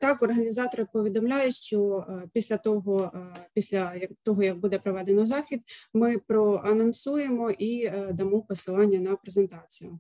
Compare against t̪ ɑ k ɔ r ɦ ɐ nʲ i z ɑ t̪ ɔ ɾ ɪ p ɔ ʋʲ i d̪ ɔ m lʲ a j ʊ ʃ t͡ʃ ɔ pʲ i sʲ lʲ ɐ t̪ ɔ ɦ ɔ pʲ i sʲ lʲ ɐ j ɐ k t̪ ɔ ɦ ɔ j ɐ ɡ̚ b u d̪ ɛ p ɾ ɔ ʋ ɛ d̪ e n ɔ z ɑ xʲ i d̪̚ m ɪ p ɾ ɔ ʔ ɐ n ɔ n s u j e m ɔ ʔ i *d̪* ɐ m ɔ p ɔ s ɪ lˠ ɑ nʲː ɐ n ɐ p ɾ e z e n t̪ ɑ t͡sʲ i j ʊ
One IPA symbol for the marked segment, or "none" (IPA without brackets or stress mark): d̪